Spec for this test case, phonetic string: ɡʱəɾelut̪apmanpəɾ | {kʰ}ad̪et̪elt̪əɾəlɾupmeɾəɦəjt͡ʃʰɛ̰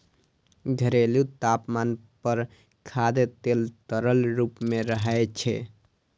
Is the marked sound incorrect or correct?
correct